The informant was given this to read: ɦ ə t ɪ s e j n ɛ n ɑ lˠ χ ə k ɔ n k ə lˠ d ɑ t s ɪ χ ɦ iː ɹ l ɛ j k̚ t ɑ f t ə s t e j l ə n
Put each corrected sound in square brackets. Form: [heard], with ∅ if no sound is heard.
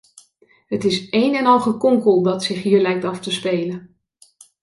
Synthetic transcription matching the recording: ɦ ə t ɪ s e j n ɛ n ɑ lˠ χ ə k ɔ [ŋ] k ə lˠ d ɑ t s ɪ χ ɦ iː ɹ l ɛ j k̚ t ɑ f t ə s [p] e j l ə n